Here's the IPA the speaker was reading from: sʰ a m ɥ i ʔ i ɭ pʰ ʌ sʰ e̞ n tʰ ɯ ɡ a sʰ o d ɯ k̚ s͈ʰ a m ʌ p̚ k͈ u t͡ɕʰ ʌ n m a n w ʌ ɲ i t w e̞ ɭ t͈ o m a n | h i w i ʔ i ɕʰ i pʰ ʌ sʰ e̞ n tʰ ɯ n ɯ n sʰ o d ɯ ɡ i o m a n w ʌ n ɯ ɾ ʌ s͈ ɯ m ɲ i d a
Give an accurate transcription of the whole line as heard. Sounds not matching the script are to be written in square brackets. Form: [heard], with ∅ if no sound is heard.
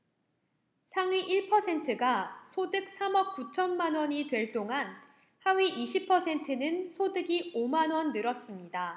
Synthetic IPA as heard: sʰ a [ŋ] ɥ i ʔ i ɭ pʰ ʌ sʰ e̞ n tʰ ɯ ɡ a sʰ o d ɯ k̚ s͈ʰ a m ʌ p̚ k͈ u t͡ɕʰ ʌ n m a n w ʌ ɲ i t w e̞ ɭ t͈ o [ŋ] a n | h [a] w i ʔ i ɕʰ i pʰ ʌ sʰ e̞ n tʰ ɯ n ɯ n sʰ o d ɯ ɡ i o m a n w ʌ [nː] ɯ ɾ ʌ s͈ ɯ m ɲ i d a